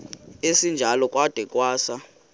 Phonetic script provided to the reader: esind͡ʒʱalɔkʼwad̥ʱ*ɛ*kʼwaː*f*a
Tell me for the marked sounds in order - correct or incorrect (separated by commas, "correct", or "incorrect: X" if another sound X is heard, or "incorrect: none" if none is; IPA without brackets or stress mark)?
correct, incorrect: s